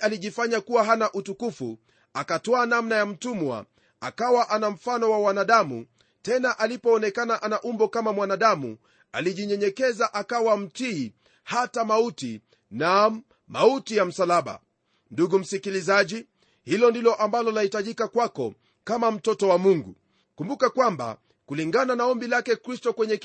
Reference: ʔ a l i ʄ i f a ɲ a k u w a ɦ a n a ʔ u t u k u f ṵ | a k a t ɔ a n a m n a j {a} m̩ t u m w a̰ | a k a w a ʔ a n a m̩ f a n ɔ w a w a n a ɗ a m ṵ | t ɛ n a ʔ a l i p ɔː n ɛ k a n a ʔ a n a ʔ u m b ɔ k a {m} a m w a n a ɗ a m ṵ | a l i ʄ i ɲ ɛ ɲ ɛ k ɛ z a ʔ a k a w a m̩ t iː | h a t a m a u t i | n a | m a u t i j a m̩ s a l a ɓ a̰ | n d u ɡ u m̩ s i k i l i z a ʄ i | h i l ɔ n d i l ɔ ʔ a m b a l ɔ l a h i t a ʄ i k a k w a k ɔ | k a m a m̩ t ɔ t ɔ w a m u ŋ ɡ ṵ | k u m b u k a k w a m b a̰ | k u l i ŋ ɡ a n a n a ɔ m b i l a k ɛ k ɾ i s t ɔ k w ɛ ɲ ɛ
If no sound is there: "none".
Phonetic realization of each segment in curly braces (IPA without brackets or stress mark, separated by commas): a, m